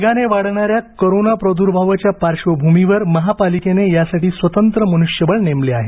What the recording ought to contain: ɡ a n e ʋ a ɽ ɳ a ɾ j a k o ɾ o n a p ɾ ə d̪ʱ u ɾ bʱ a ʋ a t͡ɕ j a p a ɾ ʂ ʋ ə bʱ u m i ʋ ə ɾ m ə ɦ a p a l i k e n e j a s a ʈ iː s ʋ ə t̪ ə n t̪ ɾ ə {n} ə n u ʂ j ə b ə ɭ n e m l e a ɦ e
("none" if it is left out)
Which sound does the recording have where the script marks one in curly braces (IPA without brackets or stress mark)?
m